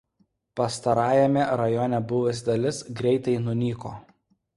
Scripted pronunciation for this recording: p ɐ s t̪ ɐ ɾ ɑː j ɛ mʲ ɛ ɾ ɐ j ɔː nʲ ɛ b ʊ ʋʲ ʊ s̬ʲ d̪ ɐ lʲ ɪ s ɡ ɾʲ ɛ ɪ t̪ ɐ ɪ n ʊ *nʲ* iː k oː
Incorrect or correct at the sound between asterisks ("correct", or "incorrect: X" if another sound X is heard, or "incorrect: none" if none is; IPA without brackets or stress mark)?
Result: correct